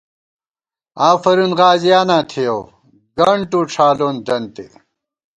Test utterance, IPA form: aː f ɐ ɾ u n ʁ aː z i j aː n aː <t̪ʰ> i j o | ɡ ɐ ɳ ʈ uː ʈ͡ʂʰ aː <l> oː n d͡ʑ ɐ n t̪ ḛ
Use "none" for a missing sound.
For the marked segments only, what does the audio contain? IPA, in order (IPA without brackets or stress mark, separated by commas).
t̪ʰ, l